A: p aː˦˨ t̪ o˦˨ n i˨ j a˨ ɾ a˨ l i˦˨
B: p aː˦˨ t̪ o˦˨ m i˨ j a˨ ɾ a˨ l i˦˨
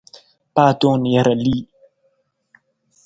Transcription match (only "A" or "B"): A